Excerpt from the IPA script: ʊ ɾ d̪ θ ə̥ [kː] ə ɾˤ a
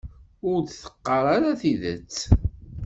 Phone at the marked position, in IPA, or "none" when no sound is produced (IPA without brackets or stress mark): qː